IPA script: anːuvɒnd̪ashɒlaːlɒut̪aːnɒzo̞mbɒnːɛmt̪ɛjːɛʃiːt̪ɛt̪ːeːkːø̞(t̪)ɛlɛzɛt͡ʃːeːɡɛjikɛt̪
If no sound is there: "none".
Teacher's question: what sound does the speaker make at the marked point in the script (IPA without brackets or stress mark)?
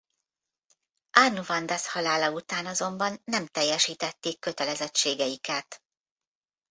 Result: t̪